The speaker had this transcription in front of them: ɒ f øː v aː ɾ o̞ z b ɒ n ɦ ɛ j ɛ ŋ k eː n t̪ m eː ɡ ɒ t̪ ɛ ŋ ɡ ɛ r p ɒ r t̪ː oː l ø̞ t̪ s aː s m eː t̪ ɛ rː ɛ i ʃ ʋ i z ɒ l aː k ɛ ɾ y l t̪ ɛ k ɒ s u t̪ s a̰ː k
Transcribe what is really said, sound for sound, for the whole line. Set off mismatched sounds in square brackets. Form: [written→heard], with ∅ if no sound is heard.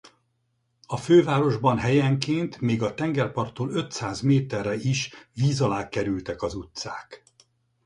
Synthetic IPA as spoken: ɒ f øː v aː ɾ o̞ [z→ʒ] b ɒ n ɦ ɛ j ɛ ŋ k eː n t̪ m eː ɡ ɒ t̪ ɛ ŋ ɡ ɛ r p ɒ r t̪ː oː l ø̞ t̪ s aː [s→z] m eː t̪ ɛ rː ɛ i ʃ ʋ [i→iː] z ɒ l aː k ɛ ɾ y l t̪ ɛ k ɒ [s→z] u t̪ s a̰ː k